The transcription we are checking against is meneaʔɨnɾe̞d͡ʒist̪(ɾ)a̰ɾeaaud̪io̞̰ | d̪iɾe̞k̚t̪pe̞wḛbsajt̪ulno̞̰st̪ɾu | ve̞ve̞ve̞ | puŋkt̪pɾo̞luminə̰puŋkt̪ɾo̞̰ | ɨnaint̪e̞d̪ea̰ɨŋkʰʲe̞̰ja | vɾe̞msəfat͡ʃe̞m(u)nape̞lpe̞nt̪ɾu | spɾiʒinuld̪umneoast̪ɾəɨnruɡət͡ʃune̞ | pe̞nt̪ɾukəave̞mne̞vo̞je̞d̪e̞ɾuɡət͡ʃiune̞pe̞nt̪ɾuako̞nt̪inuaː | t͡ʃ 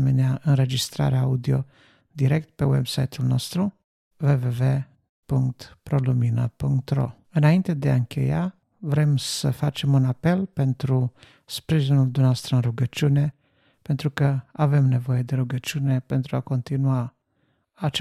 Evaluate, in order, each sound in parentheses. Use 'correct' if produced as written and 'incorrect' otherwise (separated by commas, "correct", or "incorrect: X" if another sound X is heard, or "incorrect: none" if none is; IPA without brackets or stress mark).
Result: correct, correct